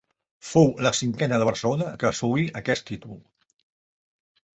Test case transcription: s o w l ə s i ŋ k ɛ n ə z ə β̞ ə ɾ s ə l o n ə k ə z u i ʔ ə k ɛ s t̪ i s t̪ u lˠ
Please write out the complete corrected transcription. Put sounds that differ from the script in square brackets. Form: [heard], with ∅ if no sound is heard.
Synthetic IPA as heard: [f] o w l ə s i ŋ k ɛ n ə [ð] ə β̞ ə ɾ s ə l o n ə k ə [s] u i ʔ ə k ɛ s t̪ i [∅] t̪ u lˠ